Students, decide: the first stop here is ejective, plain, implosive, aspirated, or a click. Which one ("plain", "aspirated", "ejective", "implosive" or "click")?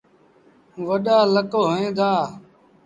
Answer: implosive